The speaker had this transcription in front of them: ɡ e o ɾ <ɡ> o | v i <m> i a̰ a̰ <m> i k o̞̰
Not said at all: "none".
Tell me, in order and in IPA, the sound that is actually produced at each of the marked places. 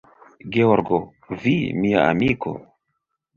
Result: ɡ, m, m

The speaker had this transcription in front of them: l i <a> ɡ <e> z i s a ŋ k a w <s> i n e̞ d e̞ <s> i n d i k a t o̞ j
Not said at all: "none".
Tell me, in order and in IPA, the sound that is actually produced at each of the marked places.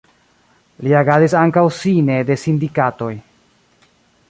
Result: a, a, s, s

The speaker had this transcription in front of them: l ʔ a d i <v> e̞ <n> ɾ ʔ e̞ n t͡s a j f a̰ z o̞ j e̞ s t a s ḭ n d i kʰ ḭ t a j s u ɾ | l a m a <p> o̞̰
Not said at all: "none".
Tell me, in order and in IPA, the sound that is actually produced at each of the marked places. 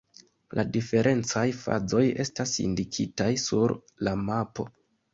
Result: f, none, p

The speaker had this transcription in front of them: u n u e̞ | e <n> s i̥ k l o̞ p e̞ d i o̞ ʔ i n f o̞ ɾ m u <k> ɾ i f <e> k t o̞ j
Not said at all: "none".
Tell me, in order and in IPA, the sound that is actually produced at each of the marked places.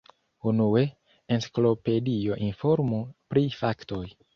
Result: n, p, a

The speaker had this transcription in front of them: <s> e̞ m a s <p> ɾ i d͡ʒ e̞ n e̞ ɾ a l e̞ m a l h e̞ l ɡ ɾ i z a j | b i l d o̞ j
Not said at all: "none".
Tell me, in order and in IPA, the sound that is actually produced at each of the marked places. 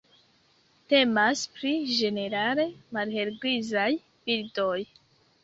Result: t, p

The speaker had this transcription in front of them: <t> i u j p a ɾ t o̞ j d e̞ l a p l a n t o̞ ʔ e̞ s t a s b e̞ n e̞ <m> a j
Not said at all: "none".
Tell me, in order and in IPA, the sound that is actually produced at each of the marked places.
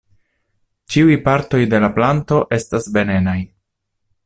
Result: t͡ʃ, n

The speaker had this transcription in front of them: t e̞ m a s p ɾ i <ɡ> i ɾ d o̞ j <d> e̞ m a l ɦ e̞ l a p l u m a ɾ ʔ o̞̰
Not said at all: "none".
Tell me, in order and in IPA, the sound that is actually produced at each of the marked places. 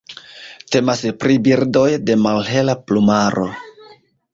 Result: b, d

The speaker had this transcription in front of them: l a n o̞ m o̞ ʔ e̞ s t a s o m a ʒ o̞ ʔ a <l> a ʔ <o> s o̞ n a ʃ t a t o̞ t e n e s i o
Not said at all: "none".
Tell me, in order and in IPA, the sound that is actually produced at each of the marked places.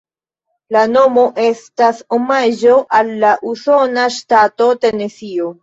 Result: lː, u

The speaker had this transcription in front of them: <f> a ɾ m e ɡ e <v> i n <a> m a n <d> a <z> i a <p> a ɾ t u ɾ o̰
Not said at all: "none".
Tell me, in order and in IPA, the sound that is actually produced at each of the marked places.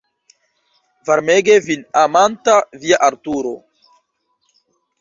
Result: v, v, a, t, v, ʔ

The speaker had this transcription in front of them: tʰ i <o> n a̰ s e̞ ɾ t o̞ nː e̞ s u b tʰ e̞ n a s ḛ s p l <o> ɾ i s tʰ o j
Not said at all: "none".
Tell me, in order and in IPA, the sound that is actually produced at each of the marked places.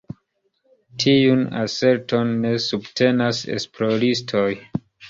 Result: u, o

